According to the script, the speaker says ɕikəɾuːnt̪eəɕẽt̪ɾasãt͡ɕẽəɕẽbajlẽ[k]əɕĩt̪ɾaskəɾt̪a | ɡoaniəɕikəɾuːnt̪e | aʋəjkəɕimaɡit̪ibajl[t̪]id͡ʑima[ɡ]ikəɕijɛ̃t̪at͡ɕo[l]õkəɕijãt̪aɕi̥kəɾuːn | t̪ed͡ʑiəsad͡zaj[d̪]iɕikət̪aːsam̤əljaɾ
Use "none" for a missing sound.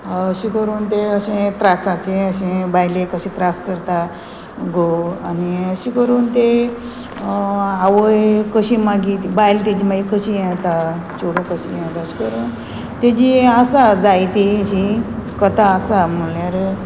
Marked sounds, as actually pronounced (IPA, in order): k, t̪, ɡ, ɽ, t̪

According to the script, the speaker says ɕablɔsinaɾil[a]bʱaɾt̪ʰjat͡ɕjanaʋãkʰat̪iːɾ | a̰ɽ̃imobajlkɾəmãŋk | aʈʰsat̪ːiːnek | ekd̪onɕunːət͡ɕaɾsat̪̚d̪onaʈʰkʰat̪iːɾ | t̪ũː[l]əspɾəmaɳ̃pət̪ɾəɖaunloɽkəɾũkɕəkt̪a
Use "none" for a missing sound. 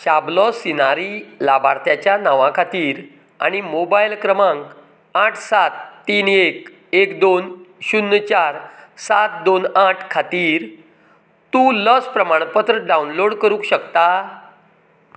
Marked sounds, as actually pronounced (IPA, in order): a, l

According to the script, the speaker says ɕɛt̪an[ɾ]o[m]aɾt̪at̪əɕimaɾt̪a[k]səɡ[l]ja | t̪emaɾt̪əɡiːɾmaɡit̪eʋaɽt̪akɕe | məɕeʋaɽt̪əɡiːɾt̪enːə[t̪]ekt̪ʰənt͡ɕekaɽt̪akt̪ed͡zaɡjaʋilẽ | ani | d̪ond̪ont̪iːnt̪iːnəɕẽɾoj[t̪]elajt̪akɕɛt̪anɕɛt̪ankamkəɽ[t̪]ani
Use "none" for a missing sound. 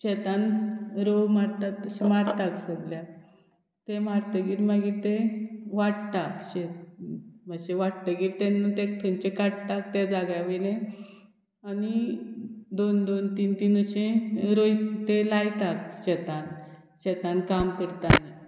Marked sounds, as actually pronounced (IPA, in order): ɾ, m, k, l, t̪, t̪, t̪

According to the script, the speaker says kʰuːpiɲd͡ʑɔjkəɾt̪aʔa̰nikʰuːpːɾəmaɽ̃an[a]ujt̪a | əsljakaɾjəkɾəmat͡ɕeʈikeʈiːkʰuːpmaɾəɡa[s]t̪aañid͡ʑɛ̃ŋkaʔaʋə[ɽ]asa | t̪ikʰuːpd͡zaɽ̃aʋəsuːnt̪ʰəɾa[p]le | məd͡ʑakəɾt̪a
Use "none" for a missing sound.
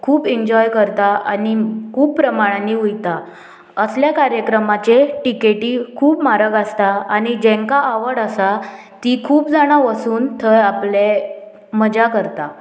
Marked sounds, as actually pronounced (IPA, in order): i, s, ɽ, p

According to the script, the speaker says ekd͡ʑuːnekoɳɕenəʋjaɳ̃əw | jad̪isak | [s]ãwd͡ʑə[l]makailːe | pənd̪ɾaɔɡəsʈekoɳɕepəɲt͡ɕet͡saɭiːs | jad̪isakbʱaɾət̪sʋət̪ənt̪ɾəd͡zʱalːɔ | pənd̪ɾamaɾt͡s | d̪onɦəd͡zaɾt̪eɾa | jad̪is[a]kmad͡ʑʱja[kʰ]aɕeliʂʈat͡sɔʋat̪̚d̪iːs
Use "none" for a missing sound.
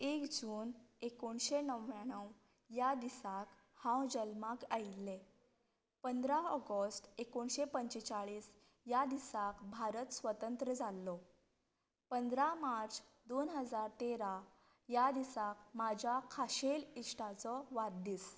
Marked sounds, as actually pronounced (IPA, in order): h, l, a, kʰ

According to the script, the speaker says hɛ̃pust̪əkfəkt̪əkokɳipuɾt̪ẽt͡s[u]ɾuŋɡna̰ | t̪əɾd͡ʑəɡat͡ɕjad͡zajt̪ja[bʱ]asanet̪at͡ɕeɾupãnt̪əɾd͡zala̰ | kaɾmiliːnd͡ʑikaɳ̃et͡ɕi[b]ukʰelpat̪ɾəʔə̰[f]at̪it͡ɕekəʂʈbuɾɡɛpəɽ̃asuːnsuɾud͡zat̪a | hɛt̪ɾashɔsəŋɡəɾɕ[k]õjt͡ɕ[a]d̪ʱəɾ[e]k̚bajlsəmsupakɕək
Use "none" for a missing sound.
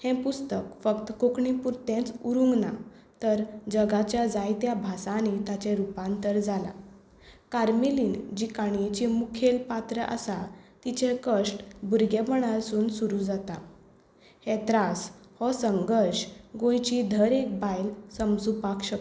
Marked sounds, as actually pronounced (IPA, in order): u, bʱ, m, s, ɡ, i, e

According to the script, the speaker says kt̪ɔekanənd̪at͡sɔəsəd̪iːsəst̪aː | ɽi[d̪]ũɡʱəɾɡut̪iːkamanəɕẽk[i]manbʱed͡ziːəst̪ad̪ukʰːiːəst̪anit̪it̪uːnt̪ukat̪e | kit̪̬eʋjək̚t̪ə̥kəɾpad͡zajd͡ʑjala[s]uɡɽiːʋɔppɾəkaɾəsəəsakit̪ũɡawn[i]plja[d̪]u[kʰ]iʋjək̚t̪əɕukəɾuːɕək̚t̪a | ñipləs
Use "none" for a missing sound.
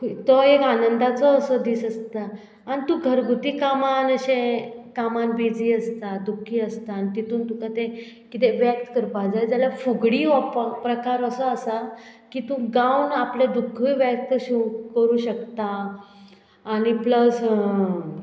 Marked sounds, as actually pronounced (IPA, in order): t̪, a, f, a, d̪, kʰ

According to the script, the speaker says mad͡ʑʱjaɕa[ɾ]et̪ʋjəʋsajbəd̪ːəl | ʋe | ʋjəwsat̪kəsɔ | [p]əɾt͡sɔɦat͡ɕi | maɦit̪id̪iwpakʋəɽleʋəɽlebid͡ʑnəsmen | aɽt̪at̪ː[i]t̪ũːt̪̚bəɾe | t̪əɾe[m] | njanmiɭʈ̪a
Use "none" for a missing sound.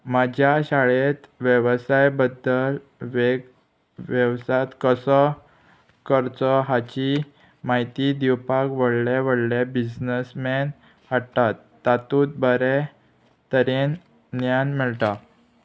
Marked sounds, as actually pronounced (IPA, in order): ɭ, k, a, n

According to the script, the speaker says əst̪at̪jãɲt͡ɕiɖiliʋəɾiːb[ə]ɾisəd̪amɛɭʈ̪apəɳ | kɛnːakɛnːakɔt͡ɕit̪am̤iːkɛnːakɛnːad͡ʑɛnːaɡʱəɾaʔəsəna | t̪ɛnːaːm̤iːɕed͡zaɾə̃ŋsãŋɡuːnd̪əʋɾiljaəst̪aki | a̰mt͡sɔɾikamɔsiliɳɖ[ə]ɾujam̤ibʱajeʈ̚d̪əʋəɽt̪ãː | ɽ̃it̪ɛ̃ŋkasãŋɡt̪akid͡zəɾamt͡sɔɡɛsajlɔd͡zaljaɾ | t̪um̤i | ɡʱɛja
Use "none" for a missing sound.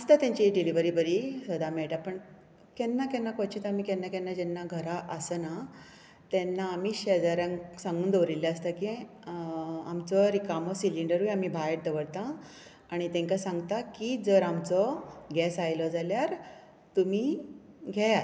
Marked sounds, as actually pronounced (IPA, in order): ə, ə

